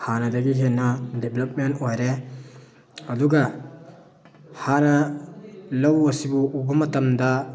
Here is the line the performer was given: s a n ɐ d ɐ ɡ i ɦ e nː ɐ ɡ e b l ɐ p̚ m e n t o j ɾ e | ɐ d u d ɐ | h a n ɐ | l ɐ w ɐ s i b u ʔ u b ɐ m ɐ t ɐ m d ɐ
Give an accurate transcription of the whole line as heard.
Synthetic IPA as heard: h a n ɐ d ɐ ɡ i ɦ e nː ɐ d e b l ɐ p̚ m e n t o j ɾ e | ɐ d u ɡ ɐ | h a n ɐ | l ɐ w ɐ s i b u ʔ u b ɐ m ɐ t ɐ m d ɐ